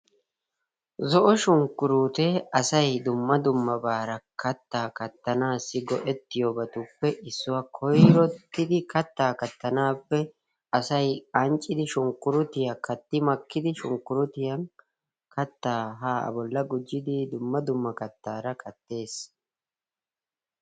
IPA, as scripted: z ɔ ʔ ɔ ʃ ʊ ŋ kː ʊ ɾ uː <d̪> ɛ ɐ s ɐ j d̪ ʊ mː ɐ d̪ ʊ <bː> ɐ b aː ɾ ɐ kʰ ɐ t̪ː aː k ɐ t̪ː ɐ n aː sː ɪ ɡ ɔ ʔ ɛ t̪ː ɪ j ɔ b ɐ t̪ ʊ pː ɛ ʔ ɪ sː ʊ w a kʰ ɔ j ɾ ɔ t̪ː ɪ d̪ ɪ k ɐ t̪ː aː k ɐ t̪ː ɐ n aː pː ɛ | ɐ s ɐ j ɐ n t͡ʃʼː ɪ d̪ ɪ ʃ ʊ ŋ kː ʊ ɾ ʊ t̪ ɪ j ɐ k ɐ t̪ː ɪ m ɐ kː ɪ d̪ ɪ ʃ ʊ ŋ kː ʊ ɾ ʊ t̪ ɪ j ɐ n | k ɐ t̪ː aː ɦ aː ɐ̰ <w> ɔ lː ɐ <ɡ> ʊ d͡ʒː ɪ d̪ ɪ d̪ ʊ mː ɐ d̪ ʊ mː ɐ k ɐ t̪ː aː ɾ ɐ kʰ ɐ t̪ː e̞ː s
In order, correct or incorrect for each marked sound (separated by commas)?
incorrect, incorrect, incorrect, correct